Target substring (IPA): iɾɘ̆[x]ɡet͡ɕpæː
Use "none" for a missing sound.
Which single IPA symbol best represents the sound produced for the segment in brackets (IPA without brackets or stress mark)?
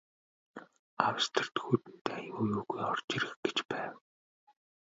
x